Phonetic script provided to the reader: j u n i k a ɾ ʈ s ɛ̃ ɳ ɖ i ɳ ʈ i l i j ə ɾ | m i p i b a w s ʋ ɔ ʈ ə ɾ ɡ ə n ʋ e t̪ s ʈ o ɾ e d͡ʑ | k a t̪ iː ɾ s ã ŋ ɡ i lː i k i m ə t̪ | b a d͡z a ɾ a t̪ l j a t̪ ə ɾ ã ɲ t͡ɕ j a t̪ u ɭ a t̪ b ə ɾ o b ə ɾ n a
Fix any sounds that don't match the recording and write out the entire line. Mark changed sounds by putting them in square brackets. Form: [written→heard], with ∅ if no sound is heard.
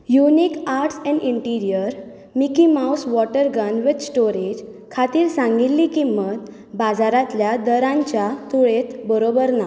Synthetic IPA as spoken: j u n i k a ɾ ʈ s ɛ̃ ɳ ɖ i ɳ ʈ i [l→ɾ] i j ə ɾ | m i [p→k] i [b→m] a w s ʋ ɔ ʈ ə ɾ ɡ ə n ʋ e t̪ s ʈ o ɾ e d͡ʑ | [k→kʰ] a t̪ iː ɾ s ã ŋ ɡ i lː i k i m ə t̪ | b a d͡z a ɾ a t̪ l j a [t̪→d̪] ə ɾ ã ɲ t͡ɕ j a t̪ u ɭ [a→e] t̪ b ə ɾ o b ə ɾ n a